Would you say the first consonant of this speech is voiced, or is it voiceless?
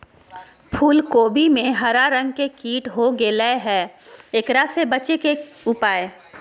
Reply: voiceless